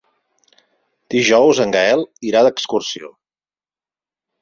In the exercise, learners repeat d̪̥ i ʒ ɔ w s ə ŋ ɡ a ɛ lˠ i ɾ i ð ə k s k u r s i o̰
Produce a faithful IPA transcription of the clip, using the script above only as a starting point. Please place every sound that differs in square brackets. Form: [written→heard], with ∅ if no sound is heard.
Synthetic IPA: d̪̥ i ʒ ɔ w [s→z] ə ŋ ɡ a ɛ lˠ i ɾ [i→a] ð ə k s k u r s i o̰

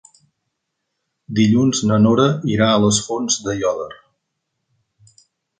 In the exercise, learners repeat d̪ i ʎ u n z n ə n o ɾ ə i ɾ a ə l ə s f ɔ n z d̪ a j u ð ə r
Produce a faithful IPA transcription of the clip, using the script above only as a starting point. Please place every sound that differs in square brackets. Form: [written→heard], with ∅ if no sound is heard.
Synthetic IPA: d̪ i ʎ u n z n ə n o ɾ ə i ɾ a ə l ə s f [ɔ→o] n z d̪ [a→ə] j [u→ɔ] ð ə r

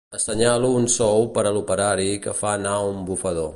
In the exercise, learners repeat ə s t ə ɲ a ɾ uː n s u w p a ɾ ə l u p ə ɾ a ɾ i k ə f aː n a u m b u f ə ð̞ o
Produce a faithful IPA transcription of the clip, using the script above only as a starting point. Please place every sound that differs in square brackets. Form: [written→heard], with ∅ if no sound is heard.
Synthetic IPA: ə s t ə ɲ a [ɾ→l] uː n s [u→ɔ] w p [a→ə] ɾ ə l u p ə ɾ a ɾ i k ə f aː n a u m b u f ə ð̞ o

